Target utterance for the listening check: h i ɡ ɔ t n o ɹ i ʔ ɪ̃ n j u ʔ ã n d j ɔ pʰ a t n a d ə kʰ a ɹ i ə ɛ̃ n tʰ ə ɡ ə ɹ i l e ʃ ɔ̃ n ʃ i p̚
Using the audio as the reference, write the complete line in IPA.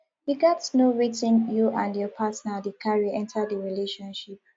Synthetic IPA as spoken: h i ɡ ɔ t n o ɹ i t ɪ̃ n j u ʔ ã n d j ɔ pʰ a t n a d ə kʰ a ɹ i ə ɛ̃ n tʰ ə d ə ɹ i l e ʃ ɔ̃ n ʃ i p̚